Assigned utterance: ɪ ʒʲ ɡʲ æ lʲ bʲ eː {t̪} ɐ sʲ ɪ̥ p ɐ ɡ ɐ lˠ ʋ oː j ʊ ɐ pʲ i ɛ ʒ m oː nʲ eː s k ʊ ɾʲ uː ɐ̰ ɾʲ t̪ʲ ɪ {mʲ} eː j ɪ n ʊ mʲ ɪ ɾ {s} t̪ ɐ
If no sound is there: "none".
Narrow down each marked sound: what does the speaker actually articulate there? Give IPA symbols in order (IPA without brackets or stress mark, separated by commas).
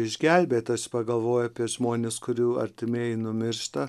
t̪, mʲ, ʃ